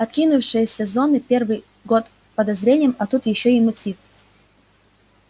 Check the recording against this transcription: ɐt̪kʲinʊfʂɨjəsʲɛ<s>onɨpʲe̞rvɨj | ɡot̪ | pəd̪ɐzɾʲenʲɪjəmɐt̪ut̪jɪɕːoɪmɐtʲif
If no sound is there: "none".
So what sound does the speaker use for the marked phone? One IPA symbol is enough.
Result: z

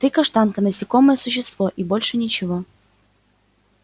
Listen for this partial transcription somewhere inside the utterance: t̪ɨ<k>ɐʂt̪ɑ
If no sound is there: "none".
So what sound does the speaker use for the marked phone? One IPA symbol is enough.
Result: k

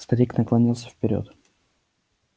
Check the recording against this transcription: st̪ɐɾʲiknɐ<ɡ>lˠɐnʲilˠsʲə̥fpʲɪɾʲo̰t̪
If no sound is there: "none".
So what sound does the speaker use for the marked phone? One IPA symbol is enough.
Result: k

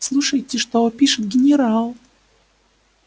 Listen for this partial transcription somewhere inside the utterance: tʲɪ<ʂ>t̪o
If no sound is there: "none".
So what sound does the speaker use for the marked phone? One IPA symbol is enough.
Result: ʂ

